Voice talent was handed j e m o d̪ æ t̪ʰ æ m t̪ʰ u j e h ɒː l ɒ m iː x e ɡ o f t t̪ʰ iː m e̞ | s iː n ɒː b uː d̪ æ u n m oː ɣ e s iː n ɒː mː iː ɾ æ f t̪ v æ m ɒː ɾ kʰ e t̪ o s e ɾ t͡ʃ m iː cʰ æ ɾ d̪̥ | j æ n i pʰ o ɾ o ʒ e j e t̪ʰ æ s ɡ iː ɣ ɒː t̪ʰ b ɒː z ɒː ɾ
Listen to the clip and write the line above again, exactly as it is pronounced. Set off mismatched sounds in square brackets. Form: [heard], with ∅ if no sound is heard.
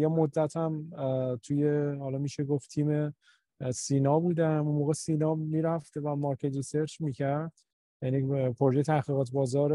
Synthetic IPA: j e m o [d̪ː] æ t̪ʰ æ m t̪ʰ u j e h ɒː l ɒ m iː [ʃ] e ɡ o f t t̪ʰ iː m e̞ | s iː n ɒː b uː d̪ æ u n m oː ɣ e s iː n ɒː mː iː ɾ æ f t̪ v æ m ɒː ɾ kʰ e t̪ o s e ɾ t͡ʃ m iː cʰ æ ɾ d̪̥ | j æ n i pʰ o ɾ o ʒ e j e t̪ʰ æ [h] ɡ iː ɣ ɒː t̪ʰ b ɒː z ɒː ɾ